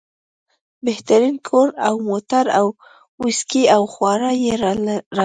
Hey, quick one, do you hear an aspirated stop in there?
yes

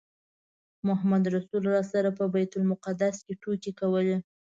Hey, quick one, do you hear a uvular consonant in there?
yes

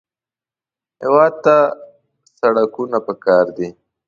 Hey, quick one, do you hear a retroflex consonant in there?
yes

